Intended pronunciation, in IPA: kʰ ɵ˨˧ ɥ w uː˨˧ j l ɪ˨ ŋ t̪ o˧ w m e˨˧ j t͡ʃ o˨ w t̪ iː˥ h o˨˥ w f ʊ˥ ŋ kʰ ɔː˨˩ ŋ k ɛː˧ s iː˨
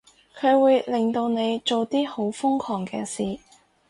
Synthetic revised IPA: kʰ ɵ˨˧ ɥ w uː˨˧ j l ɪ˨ ŋ t̪ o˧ w n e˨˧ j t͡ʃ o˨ w t̪ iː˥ h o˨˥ w f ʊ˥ ŋ kʰ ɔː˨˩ ŋ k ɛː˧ s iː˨